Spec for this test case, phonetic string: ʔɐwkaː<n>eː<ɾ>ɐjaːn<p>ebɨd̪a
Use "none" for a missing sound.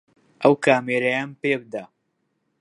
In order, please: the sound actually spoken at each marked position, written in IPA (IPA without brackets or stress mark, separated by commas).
m, ɾ, p